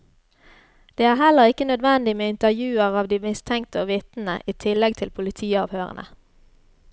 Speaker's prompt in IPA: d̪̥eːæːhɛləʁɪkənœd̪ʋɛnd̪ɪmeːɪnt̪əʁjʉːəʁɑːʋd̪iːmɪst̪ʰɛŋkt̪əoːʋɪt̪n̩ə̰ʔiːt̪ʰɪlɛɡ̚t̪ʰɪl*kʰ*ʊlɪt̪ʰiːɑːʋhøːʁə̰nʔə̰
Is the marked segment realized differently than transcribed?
yes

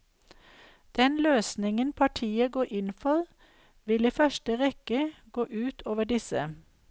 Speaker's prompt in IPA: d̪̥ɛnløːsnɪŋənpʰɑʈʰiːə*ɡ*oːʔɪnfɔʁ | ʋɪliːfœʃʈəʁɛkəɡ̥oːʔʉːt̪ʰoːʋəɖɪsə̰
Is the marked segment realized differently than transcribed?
no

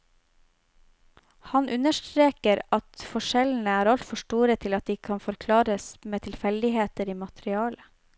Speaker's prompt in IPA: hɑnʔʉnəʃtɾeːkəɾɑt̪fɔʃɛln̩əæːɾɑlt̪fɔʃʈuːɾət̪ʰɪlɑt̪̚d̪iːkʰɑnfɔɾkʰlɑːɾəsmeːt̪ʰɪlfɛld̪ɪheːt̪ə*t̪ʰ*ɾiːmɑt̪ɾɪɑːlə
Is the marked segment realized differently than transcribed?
yes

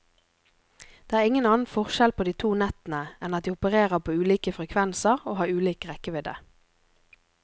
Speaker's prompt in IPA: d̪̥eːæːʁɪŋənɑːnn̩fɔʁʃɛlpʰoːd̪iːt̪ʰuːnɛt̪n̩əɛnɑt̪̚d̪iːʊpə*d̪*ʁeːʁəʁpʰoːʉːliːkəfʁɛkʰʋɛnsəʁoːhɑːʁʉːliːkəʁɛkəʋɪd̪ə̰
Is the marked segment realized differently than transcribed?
yes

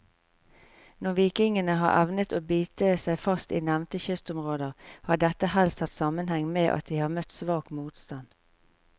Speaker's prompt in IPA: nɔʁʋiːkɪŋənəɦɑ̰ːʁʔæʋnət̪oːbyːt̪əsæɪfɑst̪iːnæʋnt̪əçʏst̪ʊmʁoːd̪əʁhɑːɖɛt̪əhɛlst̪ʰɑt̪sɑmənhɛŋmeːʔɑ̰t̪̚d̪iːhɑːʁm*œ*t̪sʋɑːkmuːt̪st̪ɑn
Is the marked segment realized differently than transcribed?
no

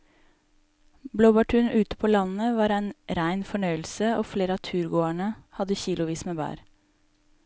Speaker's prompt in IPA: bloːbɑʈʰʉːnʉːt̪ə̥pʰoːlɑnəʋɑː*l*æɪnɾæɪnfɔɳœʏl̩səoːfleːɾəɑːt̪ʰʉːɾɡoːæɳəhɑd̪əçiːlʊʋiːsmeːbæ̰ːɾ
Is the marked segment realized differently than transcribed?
yes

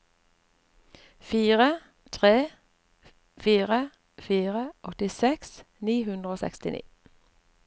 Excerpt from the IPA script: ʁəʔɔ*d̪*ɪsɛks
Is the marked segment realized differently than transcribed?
yes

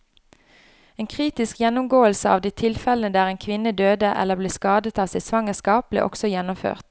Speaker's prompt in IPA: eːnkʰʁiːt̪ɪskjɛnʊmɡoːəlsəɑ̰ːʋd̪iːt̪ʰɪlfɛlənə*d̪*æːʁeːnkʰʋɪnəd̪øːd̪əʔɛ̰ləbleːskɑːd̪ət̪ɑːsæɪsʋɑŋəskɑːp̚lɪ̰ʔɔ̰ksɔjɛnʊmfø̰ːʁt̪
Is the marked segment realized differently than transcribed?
no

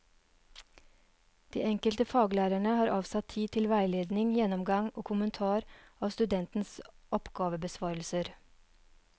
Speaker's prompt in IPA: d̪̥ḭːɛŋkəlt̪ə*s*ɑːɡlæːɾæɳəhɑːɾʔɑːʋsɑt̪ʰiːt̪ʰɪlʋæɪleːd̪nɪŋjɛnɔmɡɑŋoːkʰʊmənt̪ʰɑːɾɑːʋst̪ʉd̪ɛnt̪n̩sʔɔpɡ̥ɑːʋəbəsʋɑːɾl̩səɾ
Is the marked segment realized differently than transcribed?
yes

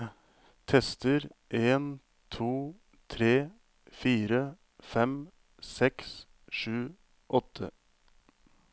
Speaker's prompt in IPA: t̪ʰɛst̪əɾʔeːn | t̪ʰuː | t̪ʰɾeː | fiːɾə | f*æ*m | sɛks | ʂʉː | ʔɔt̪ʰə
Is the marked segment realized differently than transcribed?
yes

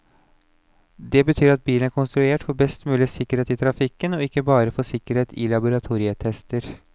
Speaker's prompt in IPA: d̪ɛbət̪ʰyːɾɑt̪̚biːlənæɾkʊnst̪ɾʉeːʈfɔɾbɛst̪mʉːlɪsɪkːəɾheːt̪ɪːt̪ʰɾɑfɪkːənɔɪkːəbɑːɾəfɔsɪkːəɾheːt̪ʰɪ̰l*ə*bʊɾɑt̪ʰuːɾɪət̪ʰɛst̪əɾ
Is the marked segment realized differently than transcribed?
yes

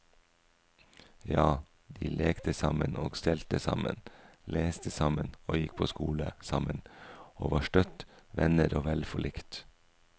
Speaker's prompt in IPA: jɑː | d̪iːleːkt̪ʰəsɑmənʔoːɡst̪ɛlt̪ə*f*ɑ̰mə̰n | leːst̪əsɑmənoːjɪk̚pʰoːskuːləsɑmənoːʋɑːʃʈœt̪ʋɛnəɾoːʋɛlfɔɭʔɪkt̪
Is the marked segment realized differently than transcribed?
yes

